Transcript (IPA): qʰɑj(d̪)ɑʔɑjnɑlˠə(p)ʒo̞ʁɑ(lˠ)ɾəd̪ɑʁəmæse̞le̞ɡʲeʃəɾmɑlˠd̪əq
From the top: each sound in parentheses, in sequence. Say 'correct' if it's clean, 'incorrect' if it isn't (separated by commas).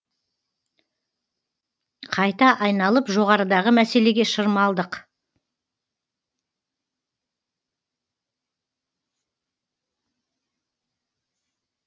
incorrect, correct, incorrect